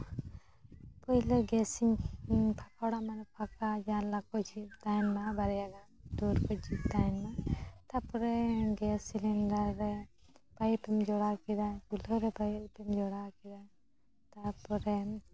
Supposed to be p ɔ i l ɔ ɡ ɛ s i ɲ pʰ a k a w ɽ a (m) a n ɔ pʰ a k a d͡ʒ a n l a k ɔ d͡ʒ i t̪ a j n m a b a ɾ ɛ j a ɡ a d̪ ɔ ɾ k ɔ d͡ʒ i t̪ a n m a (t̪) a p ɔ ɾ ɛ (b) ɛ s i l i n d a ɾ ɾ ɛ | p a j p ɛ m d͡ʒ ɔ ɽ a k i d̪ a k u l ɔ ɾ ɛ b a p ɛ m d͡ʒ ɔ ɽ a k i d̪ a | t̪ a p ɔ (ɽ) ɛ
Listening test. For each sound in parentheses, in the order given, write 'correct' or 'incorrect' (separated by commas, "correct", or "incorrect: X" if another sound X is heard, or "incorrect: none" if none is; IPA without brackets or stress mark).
correct, correct, incorrect: ɡ, incorrect: ɾ